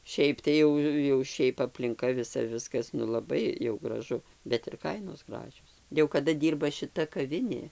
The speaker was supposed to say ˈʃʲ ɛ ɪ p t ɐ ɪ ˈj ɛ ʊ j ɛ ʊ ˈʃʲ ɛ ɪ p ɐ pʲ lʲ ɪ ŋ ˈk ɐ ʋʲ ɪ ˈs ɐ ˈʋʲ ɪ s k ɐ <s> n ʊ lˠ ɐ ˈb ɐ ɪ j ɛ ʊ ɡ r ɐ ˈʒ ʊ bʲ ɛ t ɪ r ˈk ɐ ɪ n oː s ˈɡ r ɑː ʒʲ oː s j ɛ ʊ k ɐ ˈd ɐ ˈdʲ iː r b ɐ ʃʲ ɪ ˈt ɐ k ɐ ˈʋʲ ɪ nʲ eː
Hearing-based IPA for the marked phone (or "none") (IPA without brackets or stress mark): s